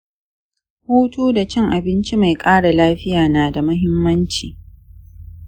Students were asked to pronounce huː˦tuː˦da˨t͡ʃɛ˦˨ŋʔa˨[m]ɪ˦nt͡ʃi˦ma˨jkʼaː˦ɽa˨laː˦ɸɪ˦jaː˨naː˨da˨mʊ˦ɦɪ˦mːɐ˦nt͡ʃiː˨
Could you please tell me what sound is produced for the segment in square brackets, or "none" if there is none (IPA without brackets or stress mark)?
b